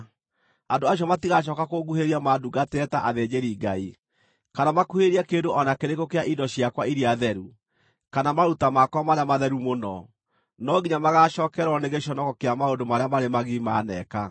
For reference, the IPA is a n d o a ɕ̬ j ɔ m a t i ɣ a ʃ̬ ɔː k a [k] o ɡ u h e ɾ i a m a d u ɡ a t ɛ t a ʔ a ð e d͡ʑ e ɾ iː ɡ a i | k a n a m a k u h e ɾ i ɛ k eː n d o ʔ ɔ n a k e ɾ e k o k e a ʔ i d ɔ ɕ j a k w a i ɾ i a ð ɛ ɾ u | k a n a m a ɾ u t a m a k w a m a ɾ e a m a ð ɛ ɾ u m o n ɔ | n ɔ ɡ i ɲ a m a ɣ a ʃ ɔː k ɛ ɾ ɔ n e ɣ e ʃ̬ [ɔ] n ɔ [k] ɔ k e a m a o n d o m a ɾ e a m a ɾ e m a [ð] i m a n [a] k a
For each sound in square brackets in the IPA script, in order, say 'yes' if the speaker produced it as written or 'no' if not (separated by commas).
yes, yes, yes, no, no